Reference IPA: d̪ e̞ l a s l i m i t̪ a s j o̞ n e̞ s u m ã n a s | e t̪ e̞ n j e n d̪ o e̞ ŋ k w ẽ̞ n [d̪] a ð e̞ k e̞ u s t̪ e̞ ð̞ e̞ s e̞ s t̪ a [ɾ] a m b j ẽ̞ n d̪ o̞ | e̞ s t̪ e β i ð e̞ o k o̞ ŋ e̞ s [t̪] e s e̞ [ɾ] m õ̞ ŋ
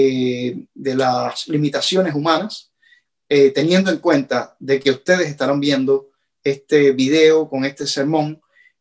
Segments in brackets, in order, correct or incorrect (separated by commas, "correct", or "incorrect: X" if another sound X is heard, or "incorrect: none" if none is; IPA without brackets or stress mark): incorrect: t̪, correct, correct, correct